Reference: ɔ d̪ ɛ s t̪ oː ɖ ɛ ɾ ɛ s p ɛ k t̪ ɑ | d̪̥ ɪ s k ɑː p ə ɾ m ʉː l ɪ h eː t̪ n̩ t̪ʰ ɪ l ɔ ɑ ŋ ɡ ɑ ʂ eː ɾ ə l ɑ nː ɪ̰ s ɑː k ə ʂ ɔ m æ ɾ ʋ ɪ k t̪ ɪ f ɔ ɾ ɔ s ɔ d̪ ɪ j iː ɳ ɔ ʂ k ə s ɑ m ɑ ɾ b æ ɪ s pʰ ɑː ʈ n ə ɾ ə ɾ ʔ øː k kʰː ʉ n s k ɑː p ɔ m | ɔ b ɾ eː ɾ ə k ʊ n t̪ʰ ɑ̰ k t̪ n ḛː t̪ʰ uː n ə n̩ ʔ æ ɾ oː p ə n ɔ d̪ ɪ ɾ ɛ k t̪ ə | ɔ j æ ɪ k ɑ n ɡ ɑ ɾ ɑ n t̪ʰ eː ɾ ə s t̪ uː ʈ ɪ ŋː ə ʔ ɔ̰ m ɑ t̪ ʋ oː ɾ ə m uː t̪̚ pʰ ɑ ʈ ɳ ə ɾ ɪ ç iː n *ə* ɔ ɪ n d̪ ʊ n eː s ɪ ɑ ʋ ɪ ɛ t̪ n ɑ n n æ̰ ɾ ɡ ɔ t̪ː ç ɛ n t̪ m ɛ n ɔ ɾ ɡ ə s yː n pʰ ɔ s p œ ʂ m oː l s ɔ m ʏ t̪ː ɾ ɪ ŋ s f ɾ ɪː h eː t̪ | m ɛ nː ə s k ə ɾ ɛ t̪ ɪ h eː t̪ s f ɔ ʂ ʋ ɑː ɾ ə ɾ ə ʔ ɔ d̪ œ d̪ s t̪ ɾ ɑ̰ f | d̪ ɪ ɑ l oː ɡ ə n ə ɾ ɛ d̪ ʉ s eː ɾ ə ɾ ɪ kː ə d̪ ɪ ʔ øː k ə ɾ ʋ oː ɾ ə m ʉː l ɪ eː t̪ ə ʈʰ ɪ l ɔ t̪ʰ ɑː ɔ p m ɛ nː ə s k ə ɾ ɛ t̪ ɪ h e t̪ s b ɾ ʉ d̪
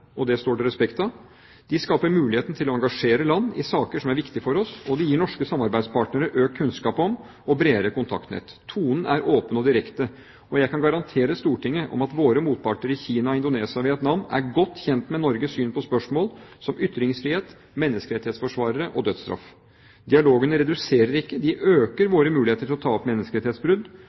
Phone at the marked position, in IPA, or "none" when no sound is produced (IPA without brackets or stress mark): ɑ